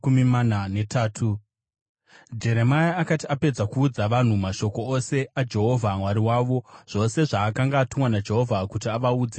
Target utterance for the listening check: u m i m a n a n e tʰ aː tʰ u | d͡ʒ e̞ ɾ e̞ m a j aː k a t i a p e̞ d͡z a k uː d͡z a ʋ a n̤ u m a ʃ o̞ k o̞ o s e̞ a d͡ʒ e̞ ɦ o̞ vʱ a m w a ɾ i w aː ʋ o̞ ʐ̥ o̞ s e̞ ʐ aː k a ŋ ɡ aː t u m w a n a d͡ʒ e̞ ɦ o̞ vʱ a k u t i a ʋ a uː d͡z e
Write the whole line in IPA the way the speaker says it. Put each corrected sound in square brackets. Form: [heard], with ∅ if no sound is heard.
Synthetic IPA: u m i m a n a n e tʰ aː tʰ u | d͡ʒ e̞ ɾ e̞ m a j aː k a t i a p e̞ d͡z a k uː d͡z a ʋ a n̤ u m a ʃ o̞ k o̞ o s e̞ a d͡ʒ e̞ ɦ o̞ vʱ a m w a ɾ i w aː ʋ o̞ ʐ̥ o̞ s e̞ ʐ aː k a ŋ ɡ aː t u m w a n a d͡ʒ e̞ ɦ o̞ vʱ a k u t i a ʋ a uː d͡z e

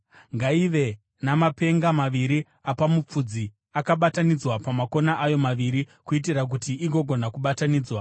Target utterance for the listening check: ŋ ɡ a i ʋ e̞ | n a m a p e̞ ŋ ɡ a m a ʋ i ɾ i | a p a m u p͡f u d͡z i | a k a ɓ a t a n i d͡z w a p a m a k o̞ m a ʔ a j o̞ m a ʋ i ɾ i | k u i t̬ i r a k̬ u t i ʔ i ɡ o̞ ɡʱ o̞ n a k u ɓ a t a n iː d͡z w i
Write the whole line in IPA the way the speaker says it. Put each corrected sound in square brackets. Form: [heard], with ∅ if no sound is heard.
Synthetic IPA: ŋ ɡ a i ʋ e̞ | n a m a p e̞ ŋ ɡ a m a ʋ i ɾ i | a p a m u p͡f u d͡z i | a k a ɓ a t a n i d͡z w a p a m a k o̞ [n] a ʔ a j o̞ m a ʋ i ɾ i | k u i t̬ i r a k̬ u t i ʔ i ɡ o̞ ɡʱ o̞ n a k u ɓ a t a n iː d͡z w [a]

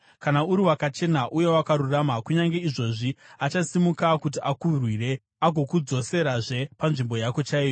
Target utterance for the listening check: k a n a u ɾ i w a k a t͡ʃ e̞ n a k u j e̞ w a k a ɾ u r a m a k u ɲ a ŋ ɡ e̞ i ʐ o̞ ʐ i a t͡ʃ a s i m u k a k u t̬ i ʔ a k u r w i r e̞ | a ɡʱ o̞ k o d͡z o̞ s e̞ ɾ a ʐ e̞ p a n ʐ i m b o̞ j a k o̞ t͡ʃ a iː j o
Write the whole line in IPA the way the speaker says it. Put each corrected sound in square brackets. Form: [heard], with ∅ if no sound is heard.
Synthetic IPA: k a n a u ɾ i w a k a t͡ʃ e̞ n a [ʔ] u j e̞ w a k a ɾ u r a m a k u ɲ a ŋ ɡ e̞ i ʐ o̞ ʐ i a t͡ʃ a s i m u k a k u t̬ i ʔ a k u r w i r e̞ | a ɡʱ o̞ k [u] d͡z o̞ s e̞ ɾ a ʐ e̞ p a n ʐ i m b o̞ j a k o̞ t͡ʃ a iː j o

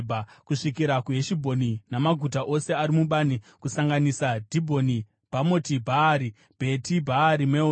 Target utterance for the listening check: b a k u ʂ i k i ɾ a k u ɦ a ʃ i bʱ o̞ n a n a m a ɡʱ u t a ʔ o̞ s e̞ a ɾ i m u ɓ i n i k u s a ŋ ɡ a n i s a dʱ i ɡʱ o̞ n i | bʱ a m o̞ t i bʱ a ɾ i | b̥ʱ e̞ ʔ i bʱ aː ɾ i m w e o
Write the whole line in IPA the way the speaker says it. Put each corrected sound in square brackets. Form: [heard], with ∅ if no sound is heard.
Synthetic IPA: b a k u ʂ i k i ɾ a k u ɦ [e] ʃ i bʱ o̞ n [i] n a m a ɡʱ u t a ʔ o̞ s e̞ a ɾ i m u ɓ [a] n i k u s a ŋ ɡ a n i s a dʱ i [bʱ] o̞ n i | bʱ a m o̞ t i bʱ a ɾ i | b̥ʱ e̞ [t] i bʱ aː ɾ i m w e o

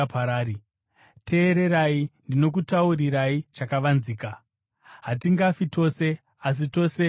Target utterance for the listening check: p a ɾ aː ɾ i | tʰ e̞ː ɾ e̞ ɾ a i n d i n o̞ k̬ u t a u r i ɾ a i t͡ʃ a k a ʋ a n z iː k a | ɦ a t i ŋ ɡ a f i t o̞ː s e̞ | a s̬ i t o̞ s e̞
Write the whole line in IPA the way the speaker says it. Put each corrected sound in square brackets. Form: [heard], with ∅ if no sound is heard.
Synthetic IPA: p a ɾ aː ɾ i | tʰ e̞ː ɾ e̞ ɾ a i n d i n o̞ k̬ u t a u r i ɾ a i t͡ʃ a k a ʋ a n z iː k a | ɦ a t i ŋ ɡ a f i t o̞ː s e̞ | a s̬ i t o̞ s e̞

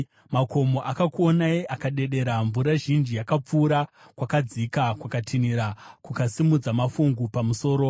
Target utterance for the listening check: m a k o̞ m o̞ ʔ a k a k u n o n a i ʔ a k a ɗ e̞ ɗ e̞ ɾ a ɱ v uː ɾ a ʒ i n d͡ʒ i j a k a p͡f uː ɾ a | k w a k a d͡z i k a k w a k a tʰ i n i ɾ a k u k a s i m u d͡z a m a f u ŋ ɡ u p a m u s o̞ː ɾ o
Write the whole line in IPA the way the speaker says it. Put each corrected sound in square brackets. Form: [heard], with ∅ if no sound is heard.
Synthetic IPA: m a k o̞ m o̞ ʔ a k a k u [∅] o n a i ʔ a k a ɗ e̞ ɗ e̞ ɾ a ɱ v [u] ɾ a ʒ i n d͡ʒ i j a k a p͡f uː ɾ a | k w a k a d͡z i k a k w a k a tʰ i n i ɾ a k u k a s i m u d͡z a m a f u ŋ ɡ u p a m u s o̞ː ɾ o

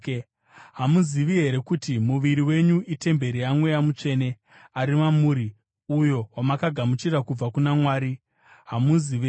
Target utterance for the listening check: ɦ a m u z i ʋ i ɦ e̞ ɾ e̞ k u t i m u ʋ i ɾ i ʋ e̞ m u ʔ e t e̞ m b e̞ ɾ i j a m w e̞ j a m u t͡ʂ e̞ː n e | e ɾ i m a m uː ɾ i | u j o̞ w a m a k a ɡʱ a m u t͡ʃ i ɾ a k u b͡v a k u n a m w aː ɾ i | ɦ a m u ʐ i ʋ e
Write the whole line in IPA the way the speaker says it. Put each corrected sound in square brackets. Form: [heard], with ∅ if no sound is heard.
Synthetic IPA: ɦ a m u z i ʋ i ɦ e̞ ɾ e̞ k u t i m u ʋ i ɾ i [w] e̞ [ɲ] u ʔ [i] t e̞ m b e̞ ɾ i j a m w e̞ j a m u t͡ʂ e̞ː n e | [a] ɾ i m a m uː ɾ i | u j o̞ w a m a k a ɡʱ a m u t͡ʃ i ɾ a k u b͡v a k u n a m w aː ɾ i | ɦ a m u [z] i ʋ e

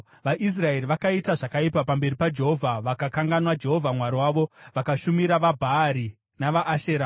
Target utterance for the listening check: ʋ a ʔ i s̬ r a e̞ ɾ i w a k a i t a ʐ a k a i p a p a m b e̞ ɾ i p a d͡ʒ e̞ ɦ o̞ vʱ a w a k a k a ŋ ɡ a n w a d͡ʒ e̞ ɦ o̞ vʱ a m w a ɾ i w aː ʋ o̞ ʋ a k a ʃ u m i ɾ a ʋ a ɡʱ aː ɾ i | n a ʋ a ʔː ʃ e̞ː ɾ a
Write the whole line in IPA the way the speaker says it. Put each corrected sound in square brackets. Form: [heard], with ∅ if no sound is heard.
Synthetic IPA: ʋ a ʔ i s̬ r a e̞ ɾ i [ʋ] a k a i t a ʐ a k a i p a p a m b e̞ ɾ i p a d͡ʒ e̞ ɦ o̞ vʱ a [ʋ] a k a k a ŋ ɡ a n w a d͡ʒ e̞ ɦ o̞ vʱ a m w a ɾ i w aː ʋ o̞ ʋ a k a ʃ u m i ɾ a ʋ a [bʱ] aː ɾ i | n a ʋ a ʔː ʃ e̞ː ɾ a

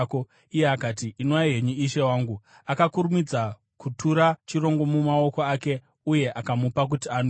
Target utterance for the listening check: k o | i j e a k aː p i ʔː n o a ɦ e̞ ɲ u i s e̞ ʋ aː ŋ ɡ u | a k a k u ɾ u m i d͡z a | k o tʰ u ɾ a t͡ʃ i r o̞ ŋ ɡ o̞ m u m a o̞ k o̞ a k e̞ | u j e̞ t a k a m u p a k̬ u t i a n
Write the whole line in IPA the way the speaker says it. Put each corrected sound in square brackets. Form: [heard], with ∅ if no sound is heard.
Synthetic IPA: k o | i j e a k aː [t] i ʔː n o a ɦ e̞ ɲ u i [ʃ] e̞ [w] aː ŋ ɡ u | a k a k u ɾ u m i d͡z a | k [u] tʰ u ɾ a t͡ʃ i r o̞ ŋ ɡ o̞ m u m a o̞ k o̞ a k e̞ | u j e̞ [ʔ] a k a m u p a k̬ u t i a n

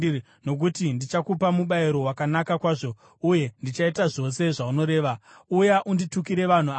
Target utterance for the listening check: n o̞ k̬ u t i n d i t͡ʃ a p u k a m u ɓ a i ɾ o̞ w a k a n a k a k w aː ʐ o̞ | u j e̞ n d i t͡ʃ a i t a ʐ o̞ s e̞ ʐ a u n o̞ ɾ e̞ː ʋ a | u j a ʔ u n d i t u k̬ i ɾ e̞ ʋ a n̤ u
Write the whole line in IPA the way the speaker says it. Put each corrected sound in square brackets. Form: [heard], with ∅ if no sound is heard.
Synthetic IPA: n o̞ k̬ u t i n d i t͡ʃ a [k] u [p] a m u ɓ a i ɾ o̞ w a k a n a k a k w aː ʐ o̞ | u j e̞ n d i t͡ʃ a i t a ʐ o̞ s e̞ ʐ a u n o̞ ɾ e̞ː ʋ a | u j a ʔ u n d i t u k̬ i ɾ e̞ ʋ a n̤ u

